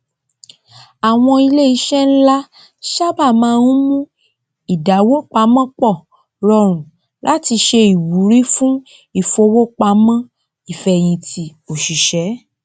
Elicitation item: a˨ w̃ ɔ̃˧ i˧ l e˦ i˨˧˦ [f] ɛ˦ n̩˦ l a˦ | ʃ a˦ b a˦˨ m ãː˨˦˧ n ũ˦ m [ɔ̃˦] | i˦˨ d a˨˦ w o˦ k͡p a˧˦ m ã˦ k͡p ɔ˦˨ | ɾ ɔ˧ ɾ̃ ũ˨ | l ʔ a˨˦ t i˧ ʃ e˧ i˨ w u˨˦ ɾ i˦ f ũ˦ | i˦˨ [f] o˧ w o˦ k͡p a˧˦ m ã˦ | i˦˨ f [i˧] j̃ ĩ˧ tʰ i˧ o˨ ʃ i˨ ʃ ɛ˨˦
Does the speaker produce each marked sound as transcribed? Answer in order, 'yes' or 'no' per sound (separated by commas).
no, no, yes, no